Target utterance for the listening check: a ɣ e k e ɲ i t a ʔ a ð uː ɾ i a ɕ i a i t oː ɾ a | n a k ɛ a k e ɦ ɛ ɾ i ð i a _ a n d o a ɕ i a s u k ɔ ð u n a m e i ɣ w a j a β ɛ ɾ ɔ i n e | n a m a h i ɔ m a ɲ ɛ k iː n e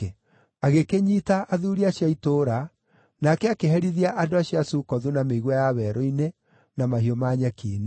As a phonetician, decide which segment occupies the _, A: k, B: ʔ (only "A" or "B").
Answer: B